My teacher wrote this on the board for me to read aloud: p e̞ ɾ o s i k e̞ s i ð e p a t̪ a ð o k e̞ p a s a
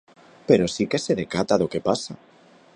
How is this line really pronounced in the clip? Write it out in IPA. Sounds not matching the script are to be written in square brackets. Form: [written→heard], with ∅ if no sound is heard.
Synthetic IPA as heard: p e̞ ɾ o s i k e̞ s [i→e] ð e [p→k] a t̪ a ð o k e̞ p a s a